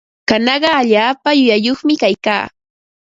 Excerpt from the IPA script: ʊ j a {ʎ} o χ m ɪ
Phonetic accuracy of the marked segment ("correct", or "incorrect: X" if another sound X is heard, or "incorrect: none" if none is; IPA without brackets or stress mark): incorrect: j